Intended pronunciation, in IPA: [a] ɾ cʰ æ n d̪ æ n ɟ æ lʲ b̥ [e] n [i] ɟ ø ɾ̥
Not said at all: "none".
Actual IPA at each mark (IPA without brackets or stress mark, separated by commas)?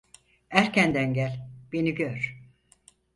æ, e, i